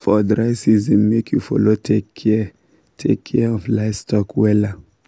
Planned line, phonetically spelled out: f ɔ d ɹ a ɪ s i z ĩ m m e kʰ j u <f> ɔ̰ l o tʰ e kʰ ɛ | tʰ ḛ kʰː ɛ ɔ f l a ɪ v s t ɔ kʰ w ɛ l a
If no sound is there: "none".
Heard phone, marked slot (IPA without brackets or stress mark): f